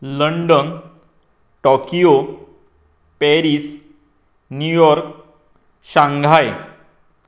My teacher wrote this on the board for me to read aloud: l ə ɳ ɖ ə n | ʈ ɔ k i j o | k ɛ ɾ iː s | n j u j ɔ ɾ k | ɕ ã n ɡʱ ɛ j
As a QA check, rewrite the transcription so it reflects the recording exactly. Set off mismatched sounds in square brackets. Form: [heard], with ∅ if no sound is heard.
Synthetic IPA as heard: l ə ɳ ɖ ə n | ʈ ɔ k i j o | [p] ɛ ɾ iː s | n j u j ɔ ɾ k | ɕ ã [ŋ] ɡʱ [a] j